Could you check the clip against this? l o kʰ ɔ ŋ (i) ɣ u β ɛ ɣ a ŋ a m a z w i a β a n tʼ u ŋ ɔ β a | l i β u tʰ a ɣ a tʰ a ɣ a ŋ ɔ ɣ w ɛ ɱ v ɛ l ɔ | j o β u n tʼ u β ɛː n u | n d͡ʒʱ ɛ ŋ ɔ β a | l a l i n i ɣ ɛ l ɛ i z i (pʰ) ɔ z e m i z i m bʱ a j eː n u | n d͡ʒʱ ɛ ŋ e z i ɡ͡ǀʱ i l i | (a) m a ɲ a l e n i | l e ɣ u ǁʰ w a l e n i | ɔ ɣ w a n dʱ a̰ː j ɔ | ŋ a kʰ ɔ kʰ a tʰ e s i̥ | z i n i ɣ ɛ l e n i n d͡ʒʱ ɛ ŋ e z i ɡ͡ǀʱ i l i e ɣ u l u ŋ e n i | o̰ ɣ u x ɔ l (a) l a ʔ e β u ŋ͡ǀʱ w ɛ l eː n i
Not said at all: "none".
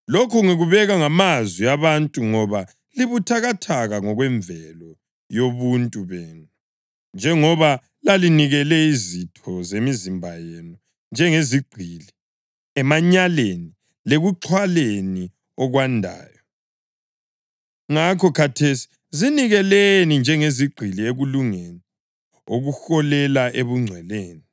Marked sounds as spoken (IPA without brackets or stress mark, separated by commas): i, tʰ, ɛ, ɛ